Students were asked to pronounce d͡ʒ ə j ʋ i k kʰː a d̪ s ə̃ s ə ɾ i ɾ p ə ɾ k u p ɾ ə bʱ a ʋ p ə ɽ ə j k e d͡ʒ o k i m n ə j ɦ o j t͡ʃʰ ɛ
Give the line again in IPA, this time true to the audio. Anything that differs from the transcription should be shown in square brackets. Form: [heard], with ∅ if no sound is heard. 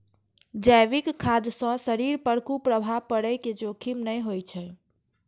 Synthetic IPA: d͡ʒ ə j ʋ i k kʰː a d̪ s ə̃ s ə ɾ i ɾ p ə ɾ k u p ɾ ə bʱ a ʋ p ə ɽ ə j k e d͡ʒ o [kʰ] i m n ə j ɦ o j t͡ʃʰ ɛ